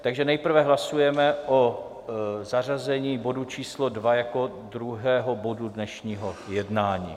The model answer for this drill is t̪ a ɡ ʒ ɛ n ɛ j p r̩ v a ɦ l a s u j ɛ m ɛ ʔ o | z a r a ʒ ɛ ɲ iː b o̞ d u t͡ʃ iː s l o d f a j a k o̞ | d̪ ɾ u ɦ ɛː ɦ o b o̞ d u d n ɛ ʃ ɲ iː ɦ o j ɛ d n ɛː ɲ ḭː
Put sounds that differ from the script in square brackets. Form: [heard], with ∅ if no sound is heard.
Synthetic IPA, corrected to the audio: t̪ a ɡ ʒ ɛ n ɛ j p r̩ v [ɛ] ɦ l a s u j ɛ m ɛ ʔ o | z a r a [z] ɛ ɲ iː b o̞ d u t͡ʃ iː s l o d [v] a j a k o̞ | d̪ ɾ u ɦ ɛː ɦ o b o̞ d u d n ɛ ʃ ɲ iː ɦ o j ɛ d n [aː] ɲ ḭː

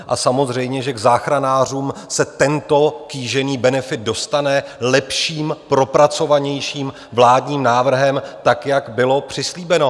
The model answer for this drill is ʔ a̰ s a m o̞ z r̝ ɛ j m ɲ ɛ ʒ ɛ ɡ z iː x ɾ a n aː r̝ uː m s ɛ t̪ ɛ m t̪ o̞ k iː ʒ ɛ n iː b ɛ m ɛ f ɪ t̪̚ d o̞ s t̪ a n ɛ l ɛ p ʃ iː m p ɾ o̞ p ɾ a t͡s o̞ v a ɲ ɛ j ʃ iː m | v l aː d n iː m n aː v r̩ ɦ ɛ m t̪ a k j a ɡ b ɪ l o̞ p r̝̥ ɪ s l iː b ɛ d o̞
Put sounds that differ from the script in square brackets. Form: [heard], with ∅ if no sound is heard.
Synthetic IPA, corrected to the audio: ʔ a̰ s a m o̞ z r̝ ɛ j m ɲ ɛ ʒ ɛ ɡ z [aː] x ɾ a n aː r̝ uː m s ɛ t̪ ɛ [n] t̪ o̞ k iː ʒ ɛ n iː b ɛ [n] ɛ f ɪ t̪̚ d o̞ s t̪ a n ɛ l ɛ p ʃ iː m p ɾ o̞ p ɾ a t͡s o̞ v a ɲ ɛ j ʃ iː m | v l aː d [ɲ] iː m n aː v r̩ ɦ ɛ m t̪ a k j a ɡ b ɪ l o̞ p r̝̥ ɪ s l iː b ɛ [n] o̞

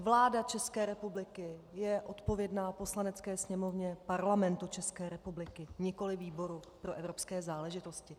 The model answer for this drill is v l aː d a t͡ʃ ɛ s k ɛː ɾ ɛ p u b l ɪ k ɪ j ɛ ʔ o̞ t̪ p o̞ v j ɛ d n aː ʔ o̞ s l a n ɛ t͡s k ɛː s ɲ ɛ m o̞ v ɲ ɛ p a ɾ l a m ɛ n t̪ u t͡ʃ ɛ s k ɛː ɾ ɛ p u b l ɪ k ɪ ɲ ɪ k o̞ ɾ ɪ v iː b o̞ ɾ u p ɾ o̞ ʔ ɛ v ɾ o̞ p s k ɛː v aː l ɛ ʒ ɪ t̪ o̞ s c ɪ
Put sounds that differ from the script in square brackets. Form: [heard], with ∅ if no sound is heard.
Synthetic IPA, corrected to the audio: v l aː d a t͡ʃ ɛ s k ɛː ɾ ɛ p u b l ɪ k ɪ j ɛ ʔ o̞ t̪ p o̞ v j ɛ d n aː [p] o̞ s l a n ɛ t͡s k ɛː s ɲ ɛ m o̞ v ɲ ɛ p a ɾ l a m ɛ n t̪ u t͡ʃ ɛ s k ɛː ɾ ɛ p u b l ɪ k ɪ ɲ ɪ k o̞ [l] ɪ v iː b o̞ ɾ u p ɾ o̞ ʔ ɛ v ɾ o̞ p s k ɛː [z] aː l ɛ ʒ ɪ t̪ o̞ s c ɪ

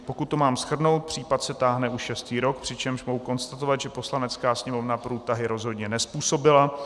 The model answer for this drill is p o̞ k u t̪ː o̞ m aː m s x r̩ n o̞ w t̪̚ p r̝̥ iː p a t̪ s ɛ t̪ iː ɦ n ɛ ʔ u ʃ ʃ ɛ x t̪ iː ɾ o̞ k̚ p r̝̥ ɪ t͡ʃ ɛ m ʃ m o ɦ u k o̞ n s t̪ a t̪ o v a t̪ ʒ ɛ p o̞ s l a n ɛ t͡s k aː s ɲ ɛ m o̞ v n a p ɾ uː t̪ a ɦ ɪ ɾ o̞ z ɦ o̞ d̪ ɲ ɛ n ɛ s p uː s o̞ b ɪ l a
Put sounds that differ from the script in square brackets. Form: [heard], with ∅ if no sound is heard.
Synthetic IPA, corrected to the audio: p o̞ k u t̪ː o̞ m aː m s x r̩ n o̞ w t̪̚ p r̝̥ iː p a t̪ s ɛ t̪ [aː] ɦ n ɛ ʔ u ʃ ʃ ɛ [s] t̪ iː ɾ o̞ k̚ p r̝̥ ɪ t͡ʃ ɛ m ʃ m o ɦ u k o̞ n s t̪ a t̪ o v a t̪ ʒ ɛ p o̞ s l a n ɛ t͡s k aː s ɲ ɛ m o̞ v n a p ɾ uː t̪ a ɦ ɪ ɾ o̞ z ɦ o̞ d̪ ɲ ɛ n ɛ s p uː s o̞ b ɪ l a

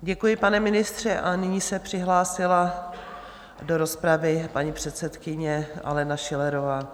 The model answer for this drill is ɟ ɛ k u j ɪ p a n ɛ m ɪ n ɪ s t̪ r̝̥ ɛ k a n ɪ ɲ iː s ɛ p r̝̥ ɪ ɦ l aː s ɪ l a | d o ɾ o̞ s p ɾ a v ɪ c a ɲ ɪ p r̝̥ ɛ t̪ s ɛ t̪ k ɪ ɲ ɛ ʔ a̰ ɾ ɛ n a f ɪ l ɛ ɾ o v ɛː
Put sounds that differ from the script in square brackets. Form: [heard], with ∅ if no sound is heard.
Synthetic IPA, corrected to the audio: ɟ ɛ k u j ɪ p a n ɛ m ɪ n ɪ s t̪ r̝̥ ɛ [ʔ] a n ɪ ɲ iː s ɛ p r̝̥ ɪ ɦ l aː s ɪ l a | d o ɾ o̞ s p ɾ a v ɪ [p] a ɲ [i] p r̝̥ ɛ t̪ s ɛ t̪ k ɪ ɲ ɛ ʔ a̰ [l] ɛ n a [ʃ] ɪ l ɛ ɾ o v [aː]

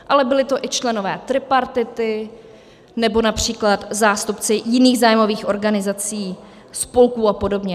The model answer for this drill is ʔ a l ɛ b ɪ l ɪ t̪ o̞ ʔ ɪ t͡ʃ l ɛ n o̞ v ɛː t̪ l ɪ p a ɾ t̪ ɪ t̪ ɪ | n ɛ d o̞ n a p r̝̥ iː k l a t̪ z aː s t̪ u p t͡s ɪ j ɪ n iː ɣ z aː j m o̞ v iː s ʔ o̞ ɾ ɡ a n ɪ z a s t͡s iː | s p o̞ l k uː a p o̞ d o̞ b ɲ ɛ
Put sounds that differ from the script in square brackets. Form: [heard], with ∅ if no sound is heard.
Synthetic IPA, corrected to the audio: ʔ a l ɛ b ɪ l ɪ t̪ o̞ ʔ ɪ t͡ʃ l ɛ n o̞ v ɛː t̪ [ɾ] ɪ p a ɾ t̪ ɪ t̪ ɪ | n ɛ [b] o̞ n a p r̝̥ iː k l a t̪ z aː s t̪ u p t͡s ɪ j ɪ n iː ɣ z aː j m o̞ v iː [x] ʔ o̞ ɾ ɡ a n ɪ z a [∅] t͡s iː | s p o̞ l k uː a p o̞ d o̞ b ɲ ɛ

